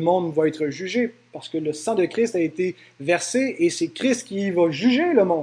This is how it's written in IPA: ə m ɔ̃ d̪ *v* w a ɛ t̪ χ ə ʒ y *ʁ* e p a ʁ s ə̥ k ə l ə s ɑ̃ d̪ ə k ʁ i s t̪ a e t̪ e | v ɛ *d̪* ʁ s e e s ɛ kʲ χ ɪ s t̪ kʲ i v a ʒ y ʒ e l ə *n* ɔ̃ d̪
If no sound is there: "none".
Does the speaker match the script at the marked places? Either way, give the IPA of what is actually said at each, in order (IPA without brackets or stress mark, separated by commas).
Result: v, ʒ, none, m